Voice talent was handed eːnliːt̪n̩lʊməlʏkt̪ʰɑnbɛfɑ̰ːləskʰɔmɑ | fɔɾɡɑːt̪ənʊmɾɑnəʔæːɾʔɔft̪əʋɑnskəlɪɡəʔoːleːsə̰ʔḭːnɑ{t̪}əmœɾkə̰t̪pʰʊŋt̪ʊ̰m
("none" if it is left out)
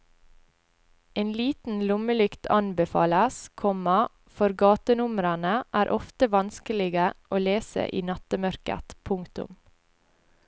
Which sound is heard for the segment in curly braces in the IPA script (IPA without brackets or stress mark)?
t̪